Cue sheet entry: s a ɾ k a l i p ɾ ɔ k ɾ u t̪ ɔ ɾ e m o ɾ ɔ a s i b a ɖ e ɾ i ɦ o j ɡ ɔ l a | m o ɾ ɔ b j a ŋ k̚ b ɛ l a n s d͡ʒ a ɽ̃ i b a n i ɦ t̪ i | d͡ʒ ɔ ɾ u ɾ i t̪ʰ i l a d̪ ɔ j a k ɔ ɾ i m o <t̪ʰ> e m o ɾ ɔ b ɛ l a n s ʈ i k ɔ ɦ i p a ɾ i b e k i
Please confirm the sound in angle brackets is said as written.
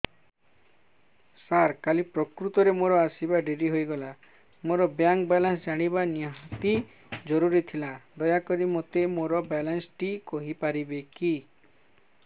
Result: no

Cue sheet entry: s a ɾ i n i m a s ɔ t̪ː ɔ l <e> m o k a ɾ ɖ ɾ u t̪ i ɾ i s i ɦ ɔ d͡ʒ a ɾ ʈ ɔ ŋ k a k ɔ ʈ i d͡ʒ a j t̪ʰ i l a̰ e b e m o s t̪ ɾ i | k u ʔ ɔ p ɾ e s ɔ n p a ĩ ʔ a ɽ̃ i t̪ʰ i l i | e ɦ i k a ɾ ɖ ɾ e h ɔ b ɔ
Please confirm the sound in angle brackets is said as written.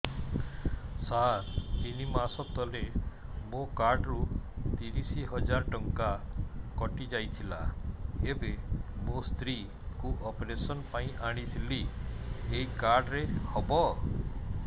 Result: yes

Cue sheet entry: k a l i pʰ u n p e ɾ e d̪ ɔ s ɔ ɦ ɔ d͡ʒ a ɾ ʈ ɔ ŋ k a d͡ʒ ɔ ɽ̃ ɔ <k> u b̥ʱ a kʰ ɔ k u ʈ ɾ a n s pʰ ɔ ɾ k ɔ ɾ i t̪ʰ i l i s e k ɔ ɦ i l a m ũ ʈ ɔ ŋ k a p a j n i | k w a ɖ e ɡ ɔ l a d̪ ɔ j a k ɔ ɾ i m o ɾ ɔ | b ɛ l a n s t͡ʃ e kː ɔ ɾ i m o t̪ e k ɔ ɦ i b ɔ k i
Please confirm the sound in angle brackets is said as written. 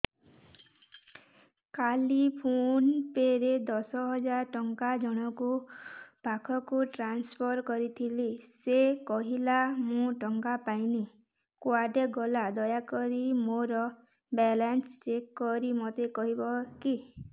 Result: yes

